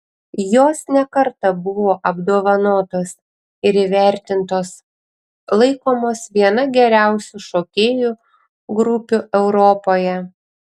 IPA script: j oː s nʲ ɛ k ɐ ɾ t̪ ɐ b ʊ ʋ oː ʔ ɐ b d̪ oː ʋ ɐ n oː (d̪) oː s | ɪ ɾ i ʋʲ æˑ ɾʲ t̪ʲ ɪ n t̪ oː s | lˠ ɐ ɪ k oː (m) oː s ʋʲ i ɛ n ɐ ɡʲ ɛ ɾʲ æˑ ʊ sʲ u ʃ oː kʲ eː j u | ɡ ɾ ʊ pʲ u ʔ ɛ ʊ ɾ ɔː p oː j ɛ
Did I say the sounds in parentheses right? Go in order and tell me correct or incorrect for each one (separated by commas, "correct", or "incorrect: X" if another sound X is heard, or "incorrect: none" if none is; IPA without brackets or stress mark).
incorrect: t̪, correct